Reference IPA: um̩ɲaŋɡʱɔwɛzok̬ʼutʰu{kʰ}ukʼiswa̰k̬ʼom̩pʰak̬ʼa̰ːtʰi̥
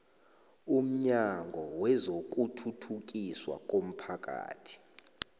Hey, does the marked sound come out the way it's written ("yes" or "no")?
no